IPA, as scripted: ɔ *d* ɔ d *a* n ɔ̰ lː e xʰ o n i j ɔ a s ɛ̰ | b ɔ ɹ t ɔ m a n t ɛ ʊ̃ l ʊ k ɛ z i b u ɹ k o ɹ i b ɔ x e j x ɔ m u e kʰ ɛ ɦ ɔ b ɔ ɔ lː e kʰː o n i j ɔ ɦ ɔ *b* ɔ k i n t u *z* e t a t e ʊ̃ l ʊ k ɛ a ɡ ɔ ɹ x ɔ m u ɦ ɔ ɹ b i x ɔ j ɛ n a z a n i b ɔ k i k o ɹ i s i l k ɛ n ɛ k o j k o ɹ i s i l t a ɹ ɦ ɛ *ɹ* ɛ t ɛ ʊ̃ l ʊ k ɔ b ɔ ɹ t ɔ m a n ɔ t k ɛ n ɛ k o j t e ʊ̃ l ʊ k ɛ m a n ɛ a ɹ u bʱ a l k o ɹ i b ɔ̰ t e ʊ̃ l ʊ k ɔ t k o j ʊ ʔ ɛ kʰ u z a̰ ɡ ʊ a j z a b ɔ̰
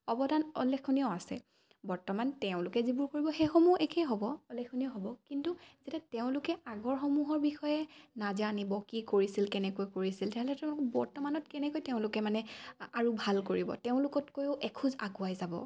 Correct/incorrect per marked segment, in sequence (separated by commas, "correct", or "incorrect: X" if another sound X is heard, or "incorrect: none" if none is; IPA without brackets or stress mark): incorrect: b, correct, correct, correct, incorrect: l